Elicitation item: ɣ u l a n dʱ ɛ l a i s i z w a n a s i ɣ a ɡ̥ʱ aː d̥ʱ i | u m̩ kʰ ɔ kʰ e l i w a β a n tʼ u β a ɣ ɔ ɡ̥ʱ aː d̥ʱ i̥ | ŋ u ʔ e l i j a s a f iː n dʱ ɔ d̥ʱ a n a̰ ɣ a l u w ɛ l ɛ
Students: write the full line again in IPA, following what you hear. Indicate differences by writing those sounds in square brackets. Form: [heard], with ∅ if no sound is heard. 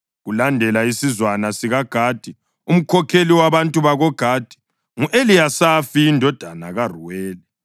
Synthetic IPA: ɣ u l a n dʱ ɛ l a i s i z w a n a s i ɣ a ɡ̥ʱ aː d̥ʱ i | u m̩ kʰ ɔ kʰ e l i w a β a n tʼ u β a ɣ ɔ ɡ̥ʱ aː d̥ʱ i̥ | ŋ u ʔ e l i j a s a f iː n dʱ ɔ d̥ʱ a n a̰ ɣ a [r] u w [ɛː] l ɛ